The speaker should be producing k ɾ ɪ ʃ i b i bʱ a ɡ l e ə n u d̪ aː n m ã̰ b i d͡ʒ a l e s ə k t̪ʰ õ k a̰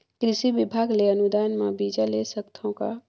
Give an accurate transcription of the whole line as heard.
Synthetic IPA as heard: k ɾ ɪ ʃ i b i bʱ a ɡ l e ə n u d̪ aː n m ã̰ b i d͡ʒ a l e s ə k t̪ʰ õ k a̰